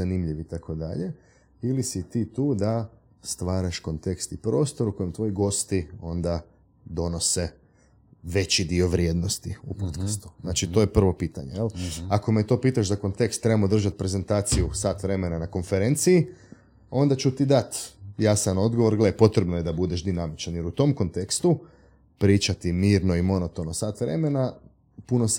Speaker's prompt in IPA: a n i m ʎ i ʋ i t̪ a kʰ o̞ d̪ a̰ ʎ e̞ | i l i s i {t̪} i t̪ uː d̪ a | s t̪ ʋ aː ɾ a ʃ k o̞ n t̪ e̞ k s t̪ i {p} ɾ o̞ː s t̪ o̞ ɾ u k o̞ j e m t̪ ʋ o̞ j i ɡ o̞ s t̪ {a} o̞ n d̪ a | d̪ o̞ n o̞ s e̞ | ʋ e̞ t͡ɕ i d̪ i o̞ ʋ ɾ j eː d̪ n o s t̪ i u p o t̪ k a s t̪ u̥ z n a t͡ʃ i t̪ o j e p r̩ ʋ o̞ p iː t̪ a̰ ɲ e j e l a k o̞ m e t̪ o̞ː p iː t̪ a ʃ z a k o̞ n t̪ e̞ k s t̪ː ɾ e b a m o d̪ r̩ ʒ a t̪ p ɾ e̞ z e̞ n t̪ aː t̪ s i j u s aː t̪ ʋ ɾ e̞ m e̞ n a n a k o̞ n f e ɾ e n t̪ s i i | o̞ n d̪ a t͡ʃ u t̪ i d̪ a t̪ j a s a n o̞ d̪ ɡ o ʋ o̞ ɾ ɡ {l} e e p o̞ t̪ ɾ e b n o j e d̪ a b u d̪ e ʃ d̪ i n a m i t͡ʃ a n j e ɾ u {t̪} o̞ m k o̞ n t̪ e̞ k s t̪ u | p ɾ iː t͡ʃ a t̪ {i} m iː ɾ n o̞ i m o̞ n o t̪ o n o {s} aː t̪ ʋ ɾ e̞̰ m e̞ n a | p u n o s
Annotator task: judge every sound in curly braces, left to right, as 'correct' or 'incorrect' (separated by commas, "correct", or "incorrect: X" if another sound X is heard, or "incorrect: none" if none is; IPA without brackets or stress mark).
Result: correct, correct, incorrect: i, correct, correct, correct, correct